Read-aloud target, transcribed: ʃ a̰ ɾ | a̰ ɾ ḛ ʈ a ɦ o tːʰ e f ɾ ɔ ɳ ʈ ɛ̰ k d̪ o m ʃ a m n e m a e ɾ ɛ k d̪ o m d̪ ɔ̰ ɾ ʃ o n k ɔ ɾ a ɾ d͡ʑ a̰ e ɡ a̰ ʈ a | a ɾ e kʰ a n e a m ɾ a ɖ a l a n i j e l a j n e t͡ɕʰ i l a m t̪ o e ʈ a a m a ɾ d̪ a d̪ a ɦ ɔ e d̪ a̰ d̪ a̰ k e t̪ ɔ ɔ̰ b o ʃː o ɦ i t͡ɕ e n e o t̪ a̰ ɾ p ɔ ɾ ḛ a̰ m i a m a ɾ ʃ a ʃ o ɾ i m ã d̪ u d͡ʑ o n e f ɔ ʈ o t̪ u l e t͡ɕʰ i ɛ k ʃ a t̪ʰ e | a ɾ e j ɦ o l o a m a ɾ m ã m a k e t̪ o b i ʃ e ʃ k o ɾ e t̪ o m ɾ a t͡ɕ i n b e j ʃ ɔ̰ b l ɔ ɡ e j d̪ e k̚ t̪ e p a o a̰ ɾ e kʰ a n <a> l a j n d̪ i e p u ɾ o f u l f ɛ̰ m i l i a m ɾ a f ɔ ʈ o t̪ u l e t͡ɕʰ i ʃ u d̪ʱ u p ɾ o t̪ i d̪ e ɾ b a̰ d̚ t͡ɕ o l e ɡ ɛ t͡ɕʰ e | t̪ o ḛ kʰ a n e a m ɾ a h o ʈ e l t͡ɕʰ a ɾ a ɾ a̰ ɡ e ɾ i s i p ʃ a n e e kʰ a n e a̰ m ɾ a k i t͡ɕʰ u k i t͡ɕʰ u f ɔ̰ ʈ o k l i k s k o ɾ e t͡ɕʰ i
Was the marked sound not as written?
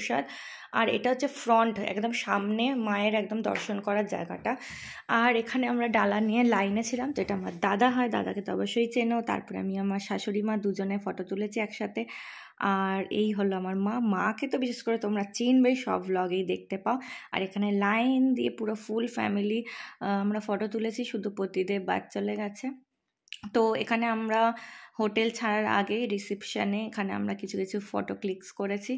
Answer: yes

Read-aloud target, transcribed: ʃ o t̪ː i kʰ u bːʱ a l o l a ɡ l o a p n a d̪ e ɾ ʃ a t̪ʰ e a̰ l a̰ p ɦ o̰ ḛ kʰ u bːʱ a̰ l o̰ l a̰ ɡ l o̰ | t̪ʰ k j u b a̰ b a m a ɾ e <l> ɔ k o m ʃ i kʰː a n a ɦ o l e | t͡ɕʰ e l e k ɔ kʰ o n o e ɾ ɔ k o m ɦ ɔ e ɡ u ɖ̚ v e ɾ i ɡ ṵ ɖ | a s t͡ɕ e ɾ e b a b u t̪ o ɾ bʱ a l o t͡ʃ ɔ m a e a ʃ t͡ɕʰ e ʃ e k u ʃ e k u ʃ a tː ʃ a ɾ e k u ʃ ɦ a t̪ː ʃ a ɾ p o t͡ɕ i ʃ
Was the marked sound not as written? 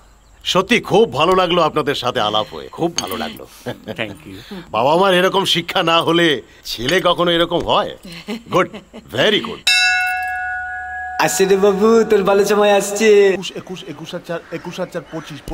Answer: yes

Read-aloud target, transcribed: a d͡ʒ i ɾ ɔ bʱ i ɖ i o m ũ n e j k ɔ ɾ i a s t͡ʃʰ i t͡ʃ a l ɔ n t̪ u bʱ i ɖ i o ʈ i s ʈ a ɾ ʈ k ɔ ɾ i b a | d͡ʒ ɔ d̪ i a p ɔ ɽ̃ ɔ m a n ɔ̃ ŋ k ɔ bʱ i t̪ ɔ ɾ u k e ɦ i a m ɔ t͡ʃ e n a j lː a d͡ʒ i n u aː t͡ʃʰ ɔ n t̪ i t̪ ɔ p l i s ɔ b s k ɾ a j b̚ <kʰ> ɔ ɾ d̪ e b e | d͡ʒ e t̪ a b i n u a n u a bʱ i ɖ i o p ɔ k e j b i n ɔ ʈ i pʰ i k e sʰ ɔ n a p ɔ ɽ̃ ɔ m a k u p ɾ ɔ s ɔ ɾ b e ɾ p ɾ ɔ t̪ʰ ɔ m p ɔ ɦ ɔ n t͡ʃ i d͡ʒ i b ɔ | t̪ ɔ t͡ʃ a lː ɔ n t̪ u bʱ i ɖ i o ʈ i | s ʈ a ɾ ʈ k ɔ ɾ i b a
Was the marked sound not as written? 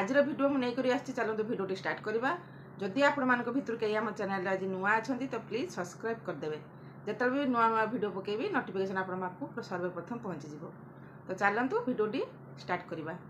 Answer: yes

